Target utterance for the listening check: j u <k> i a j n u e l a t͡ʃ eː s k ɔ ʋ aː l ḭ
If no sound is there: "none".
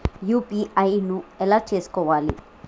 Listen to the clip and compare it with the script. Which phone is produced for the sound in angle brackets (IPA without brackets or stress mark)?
p